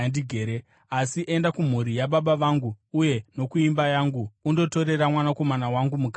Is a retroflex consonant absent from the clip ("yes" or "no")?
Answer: yes